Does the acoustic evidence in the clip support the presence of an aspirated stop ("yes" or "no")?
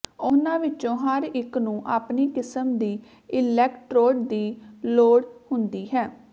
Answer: no